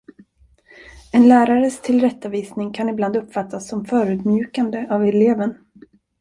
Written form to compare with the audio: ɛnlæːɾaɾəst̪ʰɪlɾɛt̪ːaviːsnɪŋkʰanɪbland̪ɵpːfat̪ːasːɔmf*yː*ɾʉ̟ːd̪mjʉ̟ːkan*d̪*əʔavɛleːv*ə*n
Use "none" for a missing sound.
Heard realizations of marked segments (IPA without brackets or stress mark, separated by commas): œː, d̪, ə